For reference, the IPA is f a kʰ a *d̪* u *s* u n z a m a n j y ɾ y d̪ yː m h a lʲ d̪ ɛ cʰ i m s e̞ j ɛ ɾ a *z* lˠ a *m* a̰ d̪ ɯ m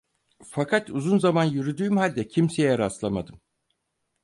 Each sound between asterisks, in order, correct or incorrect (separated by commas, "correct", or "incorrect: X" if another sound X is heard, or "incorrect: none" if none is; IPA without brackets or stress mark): incorrect: t̪, incorrect: z, incorrect: s, correct